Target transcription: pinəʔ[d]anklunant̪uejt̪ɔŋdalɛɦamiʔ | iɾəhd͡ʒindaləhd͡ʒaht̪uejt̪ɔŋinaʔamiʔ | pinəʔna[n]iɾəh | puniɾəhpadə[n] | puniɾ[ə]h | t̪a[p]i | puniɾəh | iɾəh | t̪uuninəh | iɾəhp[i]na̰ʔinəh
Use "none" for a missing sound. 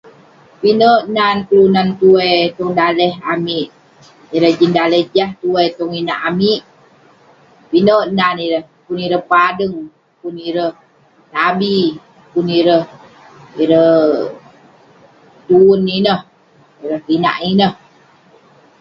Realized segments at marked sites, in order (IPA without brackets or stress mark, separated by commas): n, n, ŋ, ə, b, i